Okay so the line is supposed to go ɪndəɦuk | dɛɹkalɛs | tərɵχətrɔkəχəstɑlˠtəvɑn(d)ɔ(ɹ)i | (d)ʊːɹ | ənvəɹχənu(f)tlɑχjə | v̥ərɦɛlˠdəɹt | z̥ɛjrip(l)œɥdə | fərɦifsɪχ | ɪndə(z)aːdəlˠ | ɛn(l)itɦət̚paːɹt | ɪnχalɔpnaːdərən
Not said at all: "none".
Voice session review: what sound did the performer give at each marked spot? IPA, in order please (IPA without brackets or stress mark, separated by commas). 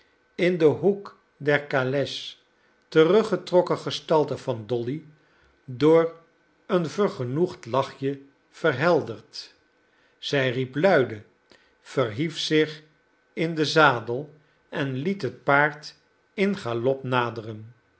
d, l, d, χ, l, z, l